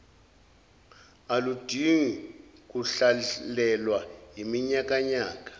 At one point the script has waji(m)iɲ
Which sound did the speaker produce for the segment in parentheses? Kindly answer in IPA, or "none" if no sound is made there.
m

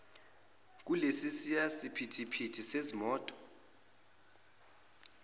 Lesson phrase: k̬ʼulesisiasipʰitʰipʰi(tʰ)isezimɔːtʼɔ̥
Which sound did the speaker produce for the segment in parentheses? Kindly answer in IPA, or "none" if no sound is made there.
tʰ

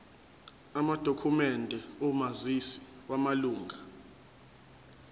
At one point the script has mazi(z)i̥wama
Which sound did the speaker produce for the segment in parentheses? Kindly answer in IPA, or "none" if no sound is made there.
s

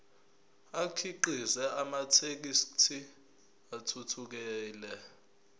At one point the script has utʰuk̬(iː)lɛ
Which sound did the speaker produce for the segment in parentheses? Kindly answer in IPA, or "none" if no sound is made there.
ɛː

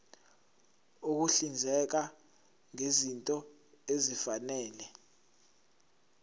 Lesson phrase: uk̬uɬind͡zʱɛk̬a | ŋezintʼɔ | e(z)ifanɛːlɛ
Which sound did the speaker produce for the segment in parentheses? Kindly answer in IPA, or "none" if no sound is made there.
z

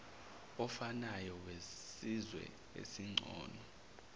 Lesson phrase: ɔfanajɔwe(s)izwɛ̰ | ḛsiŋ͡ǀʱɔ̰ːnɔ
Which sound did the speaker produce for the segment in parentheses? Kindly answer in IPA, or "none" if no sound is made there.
s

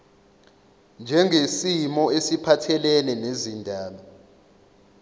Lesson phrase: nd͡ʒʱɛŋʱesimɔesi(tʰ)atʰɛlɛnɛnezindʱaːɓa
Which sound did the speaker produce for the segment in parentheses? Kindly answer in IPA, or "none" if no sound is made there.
pʰ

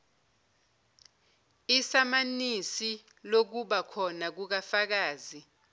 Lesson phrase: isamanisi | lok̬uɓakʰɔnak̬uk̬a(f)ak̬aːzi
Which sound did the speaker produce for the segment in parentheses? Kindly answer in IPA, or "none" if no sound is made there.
f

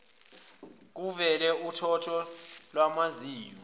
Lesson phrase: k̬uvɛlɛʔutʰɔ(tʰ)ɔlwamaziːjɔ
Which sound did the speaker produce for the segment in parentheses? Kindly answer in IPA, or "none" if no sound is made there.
tʰ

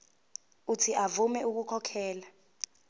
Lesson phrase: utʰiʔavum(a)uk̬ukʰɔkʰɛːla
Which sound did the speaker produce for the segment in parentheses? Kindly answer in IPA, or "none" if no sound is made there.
ɛ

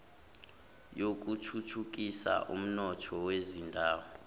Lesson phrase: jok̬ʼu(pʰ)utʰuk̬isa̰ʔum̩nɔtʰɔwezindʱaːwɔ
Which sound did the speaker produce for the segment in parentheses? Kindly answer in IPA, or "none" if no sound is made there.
tʰ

